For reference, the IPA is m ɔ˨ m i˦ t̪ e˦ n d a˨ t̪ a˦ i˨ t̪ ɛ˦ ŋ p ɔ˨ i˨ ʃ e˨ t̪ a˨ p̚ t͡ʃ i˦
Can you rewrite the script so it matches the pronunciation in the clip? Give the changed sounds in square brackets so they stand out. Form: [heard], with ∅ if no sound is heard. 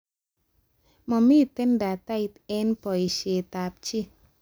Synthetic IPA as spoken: m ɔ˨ m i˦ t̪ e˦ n d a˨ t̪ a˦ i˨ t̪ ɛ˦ [n] p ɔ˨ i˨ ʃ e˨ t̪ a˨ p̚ t͡ʃ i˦